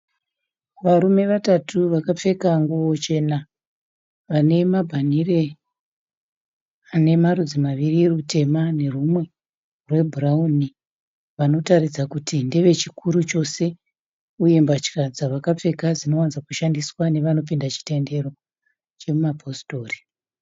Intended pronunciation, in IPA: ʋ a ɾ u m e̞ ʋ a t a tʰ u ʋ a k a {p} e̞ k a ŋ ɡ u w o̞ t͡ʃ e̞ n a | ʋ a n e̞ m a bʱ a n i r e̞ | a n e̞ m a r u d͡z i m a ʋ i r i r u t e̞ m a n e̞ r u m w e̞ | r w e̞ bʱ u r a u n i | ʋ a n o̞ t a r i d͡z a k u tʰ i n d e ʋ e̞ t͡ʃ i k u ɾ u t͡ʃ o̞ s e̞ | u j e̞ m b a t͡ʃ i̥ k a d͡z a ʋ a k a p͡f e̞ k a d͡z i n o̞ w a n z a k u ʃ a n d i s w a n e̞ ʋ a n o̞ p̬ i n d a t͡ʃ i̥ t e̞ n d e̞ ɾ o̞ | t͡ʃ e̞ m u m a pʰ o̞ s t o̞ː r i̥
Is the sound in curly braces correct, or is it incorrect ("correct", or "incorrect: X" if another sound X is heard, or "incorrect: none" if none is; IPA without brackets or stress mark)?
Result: incorrect: p͡f